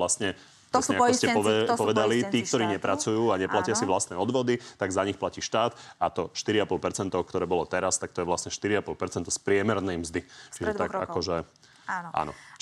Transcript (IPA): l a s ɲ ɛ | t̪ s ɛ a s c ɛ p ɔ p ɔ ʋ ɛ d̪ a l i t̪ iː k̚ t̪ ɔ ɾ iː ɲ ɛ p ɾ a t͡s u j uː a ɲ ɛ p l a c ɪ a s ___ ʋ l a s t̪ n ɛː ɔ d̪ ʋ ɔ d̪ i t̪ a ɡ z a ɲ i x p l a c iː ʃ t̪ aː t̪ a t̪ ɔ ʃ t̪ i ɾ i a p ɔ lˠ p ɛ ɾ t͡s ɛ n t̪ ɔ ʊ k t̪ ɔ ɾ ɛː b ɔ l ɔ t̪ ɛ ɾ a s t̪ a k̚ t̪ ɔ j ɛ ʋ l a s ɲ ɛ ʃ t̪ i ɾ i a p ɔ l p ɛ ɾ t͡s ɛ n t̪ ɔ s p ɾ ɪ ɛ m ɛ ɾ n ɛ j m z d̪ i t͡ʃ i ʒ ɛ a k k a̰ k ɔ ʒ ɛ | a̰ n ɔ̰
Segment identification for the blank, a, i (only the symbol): i